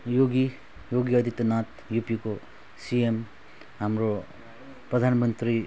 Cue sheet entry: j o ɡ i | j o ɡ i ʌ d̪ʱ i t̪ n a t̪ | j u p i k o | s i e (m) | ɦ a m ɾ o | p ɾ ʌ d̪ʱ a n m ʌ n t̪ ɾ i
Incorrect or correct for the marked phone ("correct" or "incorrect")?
correct